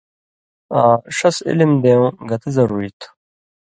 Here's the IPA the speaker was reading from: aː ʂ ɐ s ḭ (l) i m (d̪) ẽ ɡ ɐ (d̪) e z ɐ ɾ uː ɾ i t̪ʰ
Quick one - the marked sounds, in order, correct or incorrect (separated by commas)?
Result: correct, correct, incorrect